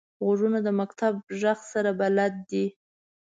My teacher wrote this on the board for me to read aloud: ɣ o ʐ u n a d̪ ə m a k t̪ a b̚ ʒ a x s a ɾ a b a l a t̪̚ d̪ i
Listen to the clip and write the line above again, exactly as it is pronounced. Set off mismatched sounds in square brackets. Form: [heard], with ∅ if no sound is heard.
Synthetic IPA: ɣ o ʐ u n a d̪ ə m a k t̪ a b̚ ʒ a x s a ɾ a b a l a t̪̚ d̪ i